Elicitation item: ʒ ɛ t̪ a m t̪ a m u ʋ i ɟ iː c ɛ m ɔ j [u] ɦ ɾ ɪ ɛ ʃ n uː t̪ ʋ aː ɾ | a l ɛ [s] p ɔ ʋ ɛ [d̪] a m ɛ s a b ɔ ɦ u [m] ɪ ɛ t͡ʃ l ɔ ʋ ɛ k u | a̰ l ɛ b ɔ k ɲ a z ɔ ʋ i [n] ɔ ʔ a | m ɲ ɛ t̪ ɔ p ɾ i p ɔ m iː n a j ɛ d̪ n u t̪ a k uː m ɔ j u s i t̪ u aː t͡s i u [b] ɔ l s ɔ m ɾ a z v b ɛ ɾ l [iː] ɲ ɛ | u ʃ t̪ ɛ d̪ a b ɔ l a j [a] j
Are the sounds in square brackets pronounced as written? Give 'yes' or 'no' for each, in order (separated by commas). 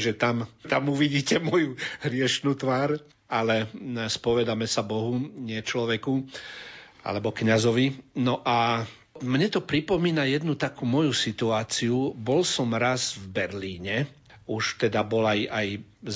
yes, yes, yes, no, yes, yes, yes, yes